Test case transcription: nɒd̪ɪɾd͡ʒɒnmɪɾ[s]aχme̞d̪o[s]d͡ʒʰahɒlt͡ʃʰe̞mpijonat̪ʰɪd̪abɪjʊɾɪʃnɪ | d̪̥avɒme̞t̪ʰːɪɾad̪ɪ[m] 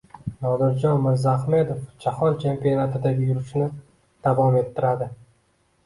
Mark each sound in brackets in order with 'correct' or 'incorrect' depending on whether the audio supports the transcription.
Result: incorrect, incorrect, incorrect

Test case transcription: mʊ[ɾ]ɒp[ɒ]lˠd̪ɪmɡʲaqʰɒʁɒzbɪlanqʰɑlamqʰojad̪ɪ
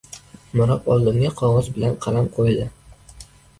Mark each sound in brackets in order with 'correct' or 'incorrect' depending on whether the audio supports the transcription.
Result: correct, correct

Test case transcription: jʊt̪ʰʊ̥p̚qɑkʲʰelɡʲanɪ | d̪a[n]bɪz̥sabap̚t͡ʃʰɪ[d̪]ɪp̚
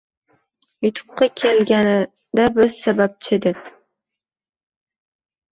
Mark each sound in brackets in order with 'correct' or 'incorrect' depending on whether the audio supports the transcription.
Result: incorrect, correct

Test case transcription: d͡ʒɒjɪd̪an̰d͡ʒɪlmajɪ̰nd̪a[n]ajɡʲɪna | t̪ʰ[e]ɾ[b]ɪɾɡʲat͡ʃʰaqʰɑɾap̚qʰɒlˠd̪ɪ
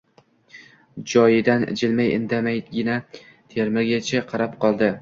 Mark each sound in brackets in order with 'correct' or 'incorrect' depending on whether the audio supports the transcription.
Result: incorrect, correct, incorrect

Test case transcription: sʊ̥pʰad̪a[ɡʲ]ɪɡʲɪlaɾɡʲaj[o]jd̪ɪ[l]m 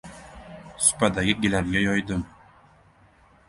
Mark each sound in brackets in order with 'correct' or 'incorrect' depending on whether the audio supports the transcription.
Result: correct, incorrect, incorrect

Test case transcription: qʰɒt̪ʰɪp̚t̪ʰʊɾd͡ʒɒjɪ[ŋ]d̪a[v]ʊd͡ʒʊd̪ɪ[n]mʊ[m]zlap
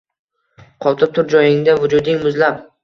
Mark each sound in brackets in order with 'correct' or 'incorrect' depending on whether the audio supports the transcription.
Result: correct, correct, incorrect, incorrect

